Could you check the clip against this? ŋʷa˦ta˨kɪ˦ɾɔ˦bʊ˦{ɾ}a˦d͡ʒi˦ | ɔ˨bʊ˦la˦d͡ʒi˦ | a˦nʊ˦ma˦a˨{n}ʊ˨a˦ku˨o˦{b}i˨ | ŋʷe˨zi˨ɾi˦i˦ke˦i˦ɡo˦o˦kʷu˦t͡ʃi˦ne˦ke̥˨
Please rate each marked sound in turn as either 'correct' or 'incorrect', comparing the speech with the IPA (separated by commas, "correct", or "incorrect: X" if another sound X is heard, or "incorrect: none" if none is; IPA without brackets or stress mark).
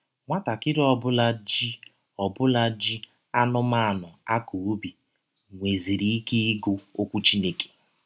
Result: incorrect: l, correct, correct